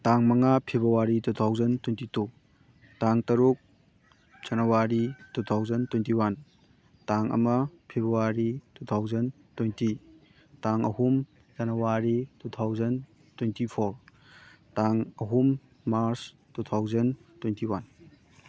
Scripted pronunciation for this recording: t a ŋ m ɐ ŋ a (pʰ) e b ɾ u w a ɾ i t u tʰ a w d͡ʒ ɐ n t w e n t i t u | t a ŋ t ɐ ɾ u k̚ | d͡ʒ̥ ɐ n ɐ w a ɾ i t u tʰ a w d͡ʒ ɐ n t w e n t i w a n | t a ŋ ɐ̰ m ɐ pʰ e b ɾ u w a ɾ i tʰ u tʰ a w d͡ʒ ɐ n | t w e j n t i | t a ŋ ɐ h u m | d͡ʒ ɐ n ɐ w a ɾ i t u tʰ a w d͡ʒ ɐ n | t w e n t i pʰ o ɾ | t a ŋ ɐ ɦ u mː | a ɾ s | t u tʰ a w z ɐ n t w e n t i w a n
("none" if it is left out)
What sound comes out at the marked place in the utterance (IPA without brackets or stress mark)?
pʰ